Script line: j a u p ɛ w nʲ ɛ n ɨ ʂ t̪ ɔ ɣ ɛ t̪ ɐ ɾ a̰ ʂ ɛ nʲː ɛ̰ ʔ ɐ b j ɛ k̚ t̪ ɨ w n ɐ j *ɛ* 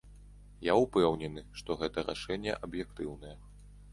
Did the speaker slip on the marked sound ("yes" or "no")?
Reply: no